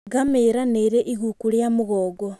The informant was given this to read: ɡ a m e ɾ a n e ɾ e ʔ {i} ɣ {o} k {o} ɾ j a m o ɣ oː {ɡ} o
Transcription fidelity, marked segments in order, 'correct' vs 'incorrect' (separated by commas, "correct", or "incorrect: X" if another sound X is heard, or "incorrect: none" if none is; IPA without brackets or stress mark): correct, incorrect: u, incorrect: u, correct